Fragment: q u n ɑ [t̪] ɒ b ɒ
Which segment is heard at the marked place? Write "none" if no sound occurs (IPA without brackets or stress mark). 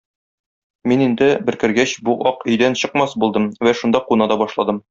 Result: d̪